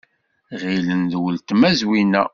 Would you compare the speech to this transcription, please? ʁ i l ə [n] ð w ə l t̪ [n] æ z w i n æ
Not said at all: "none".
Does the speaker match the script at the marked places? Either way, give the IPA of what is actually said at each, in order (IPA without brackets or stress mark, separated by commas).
n, m